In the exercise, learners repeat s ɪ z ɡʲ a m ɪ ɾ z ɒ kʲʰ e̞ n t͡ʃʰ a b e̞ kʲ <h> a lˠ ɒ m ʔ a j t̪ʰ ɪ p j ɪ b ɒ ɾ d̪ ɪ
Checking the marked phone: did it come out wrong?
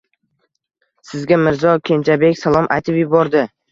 yes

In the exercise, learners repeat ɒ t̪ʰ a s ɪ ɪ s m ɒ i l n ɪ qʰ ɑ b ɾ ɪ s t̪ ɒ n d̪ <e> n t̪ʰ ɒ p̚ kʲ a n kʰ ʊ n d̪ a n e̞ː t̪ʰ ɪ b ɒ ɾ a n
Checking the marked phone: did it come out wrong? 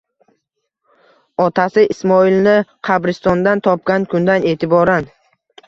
yes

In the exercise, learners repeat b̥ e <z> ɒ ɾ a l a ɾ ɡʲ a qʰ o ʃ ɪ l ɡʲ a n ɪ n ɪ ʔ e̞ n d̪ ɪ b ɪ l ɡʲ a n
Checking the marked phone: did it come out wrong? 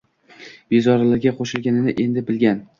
no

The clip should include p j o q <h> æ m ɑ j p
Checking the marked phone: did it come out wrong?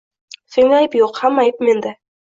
no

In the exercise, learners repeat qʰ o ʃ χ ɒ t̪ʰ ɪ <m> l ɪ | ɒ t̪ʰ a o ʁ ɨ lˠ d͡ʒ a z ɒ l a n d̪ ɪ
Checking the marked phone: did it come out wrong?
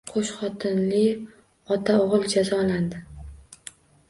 yes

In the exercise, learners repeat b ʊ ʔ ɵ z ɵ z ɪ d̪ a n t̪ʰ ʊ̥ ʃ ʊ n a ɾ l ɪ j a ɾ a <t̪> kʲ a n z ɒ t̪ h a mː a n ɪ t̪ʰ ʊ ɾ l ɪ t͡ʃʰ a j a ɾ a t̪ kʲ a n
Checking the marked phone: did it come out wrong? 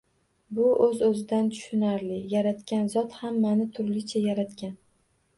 no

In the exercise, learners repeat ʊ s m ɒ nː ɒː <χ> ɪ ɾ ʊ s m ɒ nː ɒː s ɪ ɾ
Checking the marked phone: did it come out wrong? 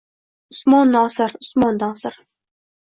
yes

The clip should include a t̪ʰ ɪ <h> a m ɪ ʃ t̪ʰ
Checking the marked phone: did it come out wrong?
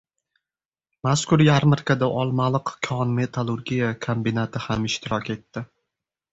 no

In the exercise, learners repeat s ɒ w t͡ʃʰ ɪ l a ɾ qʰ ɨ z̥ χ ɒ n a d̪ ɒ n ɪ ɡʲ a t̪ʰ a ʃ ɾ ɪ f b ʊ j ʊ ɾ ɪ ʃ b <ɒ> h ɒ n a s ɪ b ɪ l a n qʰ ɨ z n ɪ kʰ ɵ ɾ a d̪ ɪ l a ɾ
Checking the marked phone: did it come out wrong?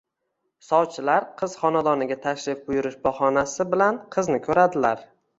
no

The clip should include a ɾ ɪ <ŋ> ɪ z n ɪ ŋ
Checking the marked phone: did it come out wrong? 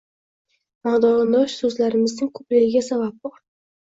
yes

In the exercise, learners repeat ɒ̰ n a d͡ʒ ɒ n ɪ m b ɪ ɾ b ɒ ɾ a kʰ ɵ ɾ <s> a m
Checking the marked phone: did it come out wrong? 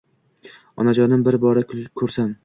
no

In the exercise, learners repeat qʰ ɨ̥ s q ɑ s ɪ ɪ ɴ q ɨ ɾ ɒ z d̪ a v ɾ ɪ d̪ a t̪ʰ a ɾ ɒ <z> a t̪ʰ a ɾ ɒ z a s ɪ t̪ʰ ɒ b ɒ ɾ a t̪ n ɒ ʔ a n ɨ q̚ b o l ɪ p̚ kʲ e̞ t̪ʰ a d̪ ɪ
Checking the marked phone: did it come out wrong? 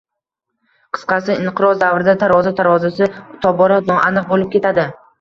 no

